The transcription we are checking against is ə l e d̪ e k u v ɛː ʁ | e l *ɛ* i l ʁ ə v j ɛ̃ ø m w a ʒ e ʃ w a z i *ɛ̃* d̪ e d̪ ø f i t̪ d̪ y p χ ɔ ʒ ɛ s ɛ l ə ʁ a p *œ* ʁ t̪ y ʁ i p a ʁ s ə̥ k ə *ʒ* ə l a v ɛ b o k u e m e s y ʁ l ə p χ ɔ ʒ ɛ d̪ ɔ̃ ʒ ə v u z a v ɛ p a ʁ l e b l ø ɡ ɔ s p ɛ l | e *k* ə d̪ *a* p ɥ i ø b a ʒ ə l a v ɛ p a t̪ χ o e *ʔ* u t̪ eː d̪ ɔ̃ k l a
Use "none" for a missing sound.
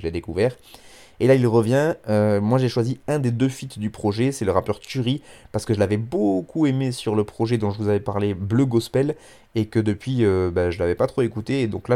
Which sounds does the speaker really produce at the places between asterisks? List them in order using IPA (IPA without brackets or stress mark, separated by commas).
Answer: a, ɛ̃, œ, ʒ, k, ə, k